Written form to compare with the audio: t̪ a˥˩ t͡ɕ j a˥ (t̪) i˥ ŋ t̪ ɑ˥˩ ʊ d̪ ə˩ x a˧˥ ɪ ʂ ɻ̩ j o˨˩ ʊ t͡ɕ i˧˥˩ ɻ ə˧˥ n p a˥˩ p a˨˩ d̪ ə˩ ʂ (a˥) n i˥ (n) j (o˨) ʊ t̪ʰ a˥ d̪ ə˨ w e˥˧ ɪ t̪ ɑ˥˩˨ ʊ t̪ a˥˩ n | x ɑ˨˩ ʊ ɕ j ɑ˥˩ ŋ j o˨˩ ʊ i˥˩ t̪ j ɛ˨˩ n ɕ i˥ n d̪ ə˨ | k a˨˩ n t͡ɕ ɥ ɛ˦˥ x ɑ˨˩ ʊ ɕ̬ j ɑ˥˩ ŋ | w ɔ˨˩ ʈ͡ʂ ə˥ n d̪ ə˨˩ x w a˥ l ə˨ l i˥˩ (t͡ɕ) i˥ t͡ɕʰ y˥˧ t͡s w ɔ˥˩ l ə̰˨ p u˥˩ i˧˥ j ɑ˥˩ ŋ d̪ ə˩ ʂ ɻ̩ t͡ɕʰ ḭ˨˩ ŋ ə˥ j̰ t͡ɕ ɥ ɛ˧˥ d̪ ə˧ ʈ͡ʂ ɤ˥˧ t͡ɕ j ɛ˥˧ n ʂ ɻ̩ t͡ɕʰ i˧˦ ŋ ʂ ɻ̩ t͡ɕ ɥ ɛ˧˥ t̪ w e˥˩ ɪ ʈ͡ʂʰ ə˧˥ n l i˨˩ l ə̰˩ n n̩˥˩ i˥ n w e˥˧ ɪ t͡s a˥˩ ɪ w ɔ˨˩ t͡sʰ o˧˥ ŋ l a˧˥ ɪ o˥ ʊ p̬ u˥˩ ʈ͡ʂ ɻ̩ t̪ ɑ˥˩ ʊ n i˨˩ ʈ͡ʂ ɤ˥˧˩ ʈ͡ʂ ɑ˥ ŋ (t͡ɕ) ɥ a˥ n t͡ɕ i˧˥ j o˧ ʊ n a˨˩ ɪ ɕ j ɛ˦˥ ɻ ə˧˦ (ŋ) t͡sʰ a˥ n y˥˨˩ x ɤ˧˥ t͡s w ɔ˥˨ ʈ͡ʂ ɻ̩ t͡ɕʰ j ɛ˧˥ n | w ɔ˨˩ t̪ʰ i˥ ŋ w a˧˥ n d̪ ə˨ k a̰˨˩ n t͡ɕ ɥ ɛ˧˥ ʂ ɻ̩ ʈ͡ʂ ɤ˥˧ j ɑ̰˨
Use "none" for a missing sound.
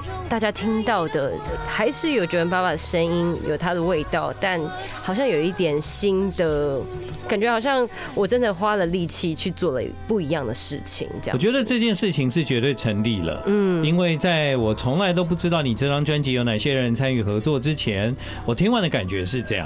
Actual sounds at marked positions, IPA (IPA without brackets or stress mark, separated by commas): t̪ʰ, ə˥, n, o˨, t͡ɕʰ, t͡ɕ, n